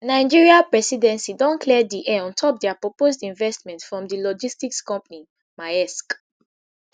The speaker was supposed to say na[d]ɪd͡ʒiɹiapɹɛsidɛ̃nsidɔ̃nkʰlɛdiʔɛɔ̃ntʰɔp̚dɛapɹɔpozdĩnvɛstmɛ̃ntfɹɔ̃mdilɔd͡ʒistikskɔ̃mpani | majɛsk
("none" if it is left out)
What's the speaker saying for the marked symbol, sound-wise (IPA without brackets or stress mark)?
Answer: none